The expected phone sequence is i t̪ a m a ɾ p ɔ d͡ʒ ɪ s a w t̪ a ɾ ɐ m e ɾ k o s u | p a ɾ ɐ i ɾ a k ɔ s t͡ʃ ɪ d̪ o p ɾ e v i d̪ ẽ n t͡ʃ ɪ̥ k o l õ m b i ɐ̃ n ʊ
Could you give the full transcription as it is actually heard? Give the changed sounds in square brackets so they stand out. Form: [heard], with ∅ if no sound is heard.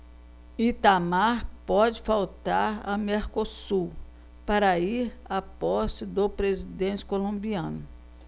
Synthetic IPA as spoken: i t̪ a m a ɾ p ɔ d͡ʒ ɪ [f] a w t̪ a ɾ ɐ m e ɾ k o s u | p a ɾ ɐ i ɾ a [p] ɔ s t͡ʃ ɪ d̪ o p ɾ e [z] i d̪ ẽ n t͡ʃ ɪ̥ k o l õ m b i ɐ̃ n ʊ